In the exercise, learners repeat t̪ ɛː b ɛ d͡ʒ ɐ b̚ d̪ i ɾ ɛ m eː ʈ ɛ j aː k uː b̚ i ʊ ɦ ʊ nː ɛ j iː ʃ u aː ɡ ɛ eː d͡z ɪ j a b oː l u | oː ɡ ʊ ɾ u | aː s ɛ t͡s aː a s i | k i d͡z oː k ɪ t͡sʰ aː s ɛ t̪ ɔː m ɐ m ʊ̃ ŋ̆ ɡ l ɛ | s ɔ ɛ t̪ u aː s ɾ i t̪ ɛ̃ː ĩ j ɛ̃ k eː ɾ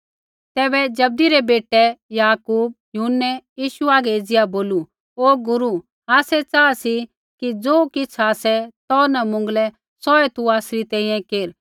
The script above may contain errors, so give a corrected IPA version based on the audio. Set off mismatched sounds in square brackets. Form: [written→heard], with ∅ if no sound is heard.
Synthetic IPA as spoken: t̪ ɛː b ɛ d͡ʒ ɐ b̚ d̪ i ɾ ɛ [m→b] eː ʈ ɛ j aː k uː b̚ [i→j] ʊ ɦ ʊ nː ɛ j iː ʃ u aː ɡ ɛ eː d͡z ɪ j a b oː l u | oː ɡ ʊ ɾ u | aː s ɛ t͡s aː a s i | k i d͡z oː k ɪ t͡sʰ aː s ɛ t̪ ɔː [m→n] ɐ m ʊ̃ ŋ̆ ɡ l ɛ | s ɔ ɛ t̪ u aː s ɾ i t̪ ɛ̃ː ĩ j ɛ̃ k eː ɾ

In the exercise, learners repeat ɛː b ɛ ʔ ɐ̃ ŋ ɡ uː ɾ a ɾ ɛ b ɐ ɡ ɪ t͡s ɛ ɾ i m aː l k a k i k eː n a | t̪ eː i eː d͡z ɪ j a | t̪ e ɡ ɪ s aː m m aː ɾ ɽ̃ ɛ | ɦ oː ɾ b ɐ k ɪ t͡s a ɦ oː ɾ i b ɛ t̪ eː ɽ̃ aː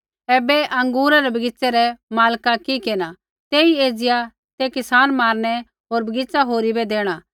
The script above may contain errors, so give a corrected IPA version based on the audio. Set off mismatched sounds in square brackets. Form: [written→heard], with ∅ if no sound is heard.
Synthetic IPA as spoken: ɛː b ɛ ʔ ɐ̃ ŋ ɡ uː ɾ a ɾ ɛ b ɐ ɡ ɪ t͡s ɛ ɾ [i→ɛ] m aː l k a k i k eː n a | t̪ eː i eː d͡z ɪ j a | t̪ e [ɡ→k] ɪ s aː [m→n] m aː ɾ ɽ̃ ɛ | ɦ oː ɾ b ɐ [k→ɡ] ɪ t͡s a ɦ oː ɾ i b ɛ [t̪→d̪] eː ɽ̃ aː

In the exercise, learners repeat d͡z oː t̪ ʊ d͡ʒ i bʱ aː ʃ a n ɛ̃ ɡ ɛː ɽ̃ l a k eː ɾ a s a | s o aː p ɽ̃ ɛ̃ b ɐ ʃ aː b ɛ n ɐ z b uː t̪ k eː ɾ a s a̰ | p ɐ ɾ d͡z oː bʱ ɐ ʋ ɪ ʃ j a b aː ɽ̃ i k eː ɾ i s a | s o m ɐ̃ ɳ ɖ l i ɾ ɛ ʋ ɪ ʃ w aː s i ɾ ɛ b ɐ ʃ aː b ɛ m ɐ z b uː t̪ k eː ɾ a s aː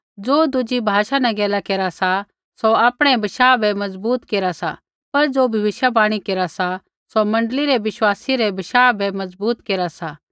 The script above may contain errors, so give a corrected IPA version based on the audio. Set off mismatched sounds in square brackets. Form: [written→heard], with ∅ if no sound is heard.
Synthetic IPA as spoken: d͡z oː [t̪→d̪] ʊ d͡ʒ i bʱ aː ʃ a n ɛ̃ ɡ ɛː [ɽ̃→∅] l a k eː ɾ a s a | s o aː p ɽ̃ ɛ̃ b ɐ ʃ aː b ɛ [n→m] ɐ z b uː t̪ k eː ɾ a s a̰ | p ɐ ɾ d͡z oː bʱ ɐ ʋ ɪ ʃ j a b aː ɽ̃ i k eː ɾ [i→a] s a | s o m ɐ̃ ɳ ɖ l i ɾ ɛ ʋ ɪ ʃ w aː s i ɾ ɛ b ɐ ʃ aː b ɛ m ɐ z b uː t̪ k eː ɾ a s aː

